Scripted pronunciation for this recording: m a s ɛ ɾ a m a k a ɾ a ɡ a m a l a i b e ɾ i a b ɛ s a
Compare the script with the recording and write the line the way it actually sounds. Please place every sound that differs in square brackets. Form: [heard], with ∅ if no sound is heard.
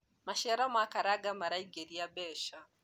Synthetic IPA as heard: m a [ʃ] ɛ ɾ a m a k a ɾ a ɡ a m a [ɾ] a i [ɡ] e ɾ i a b ɛ [ʃ] a

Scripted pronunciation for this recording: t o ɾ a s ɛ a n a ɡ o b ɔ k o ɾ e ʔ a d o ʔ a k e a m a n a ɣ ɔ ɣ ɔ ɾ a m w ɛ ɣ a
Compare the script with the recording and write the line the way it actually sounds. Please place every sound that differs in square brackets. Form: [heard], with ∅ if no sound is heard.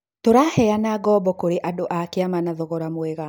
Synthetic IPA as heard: t o ɾ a [h] ɛ a n a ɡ [ɔ] b ɔ k o ɾ e ʔ a d o ʔ a k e a m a n a [ð] ɔ ɣ ɔ ɾ a m w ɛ ɣ a

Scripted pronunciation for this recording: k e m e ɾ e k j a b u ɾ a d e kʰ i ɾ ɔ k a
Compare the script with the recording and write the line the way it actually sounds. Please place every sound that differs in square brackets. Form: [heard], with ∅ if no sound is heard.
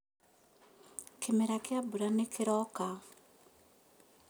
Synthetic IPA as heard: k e m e ɾ [a] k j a b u ɾ a [n] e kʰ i ɾ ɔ k a

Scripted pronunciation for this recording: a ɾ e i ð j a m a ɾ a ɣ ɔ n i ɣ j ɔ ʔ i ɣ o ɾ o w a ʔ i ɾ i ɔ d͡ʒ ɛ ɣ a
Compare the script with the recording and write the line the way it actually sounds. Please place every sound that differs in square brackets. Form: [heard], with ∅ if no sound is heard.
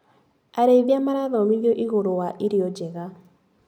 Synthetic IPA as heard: a ɾ e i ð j a m a ɾ a [ð] ɔ [m] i ɣ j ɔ ʔ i ɣ o ɾ o w a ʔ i ɾ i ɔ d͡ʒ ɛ ɣ a

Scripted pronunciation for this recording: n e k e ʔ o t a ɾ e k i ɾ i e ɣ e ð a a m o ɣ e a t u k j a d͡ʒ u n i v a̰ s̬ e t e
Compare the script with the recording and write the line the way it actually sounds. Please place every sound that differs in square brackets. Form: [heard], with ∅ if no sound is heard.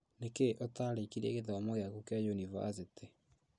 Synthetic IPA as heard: n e k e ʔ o t a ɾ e k i ɾ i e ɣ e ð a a m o ɣ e a [k] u k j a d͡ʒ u n i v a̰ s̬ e t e

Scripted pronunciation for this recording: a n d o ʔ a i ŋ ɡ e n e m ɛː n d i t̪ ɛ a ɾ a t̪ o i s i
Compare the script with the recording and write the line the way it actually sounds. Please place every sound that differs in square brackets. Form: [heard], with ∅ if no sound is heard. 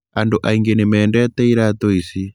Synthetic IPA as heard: a n d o ʔ a i ŋ ɡ e n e m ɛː n d [ɛ] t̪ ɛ [i] ɾ a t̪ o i s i

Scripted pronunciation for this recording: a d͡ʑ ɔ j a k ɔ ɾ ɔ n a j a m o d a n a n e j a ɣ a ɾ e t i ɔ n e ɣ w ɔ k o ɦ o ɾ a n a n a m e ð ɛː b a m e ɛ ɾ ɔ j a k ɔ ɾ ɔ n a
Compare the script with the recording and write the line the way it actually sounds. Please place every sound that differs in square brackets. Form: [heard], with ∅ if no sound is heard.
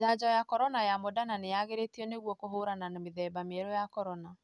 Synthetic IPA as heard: a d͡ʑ ɔ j a k ɔ ɾ ɔ n a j a m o d a n a n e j a ɣ [e] ɾ e t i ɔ n e ɣ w ɔ k o ɦ o ɾ a n a n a m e ð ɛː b a m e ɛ ɾ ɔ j a k ɔ ɾ ɔ n a

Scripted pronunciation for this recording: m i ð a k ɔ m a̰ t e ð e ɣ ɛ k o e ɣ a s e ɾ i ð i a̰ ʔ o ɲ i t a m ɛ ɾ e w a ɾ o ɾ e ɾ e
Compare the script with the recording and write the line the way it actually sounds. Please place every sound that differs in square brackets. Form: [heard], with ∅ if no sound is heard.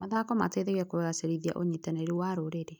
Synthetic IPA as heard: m [a] ð a k ɔ m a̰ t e ð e ɣ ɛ k o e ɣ a s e ɾ i ð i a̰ ʔ o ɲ i t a [n] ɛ ɾ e w a ɾ o ɾ e ɾ e

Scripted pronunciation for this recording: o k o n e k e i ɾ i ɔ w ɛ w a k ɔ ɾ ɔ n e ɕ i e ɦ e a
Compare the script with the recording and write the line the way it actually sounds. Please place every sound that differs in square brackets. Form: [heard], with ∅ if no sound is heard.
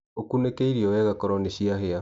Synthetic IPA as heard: o k [u] n e k e i ɾ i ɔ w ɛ [ɣ] a k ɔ ɾ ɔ n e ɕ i [a] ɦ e a

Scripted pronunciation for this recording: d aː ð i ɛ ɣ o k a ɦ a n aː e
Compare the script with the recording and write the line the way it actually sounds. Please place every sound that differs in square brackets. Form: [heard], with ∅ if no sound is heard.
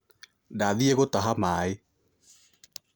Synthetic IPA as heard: d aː ð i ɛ ɣ o [t] a ɦ a [m] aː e

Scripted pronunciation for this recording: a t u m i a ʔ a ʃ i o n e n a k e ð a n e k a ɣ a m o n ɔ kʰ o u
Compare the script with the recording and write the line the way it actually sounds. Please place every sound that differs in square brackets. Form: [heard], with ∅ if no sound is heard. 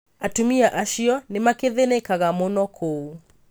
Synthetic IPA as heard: a t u m i a ʔ a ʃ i [ɔ] n e [m] a k e ð [e] n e k a ɣ a m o n ɔ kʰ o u

